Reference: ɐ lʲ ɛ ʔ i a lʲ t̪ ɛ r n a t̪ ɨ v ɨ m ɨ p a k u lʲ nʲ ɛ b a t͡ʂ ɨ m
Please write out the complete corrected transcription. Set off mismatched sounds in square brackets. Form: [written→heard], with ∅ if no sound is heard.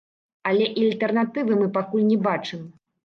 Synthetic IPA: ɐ lʲ ɛ ʔ i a lʲ t̪ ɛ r n a t̪ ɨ v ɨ m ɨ p a k u lʲ nʲ ɛ b a t͡ʂ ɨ m